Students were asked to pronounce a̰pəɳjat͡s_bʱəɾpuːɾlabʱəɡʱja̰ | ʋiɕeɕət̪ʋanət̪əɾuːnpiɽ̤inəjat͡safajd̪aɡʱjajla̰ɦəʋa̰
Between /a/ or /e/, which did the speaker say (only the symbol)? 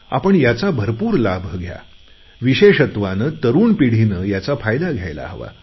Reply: a